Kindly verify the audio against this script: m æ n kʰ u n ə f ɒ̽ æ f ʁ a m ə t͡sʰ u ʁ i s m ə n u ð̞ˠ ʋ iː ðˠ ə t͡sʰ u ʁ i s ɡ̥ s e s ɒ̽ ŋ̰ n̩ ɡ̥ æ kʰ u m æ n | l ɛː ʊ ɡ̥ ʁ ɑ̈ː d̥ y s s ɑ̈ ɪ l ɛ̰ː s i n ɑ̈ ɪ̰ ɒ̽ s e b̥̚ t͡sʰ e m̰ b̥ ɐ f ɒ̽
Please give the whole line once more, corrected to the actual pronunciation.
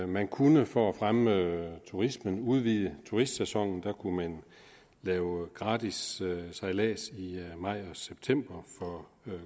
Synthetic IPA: m æ n kʰ u n ə f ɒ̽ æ f ʁ a m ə t͡sʰ u ʁ i s m ə n u ð̞ˠ ʋ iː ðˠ ə t͡sʰ u ʁ i s d̥ s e s ɒ̽ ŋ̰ n̩ d̥ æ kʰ u m æ n | l ɛː ʊ ɡ̥ ʁ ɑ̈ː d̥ i s s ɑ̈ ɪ l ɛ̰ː s i m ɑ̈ ɪ̰ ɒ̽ s e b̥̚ t͡sʰ e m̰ b̥ ɐ f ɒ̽